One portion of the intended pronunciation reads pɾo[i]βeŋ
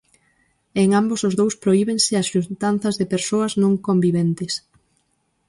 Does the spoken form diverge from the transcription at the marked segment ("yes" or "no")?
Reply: no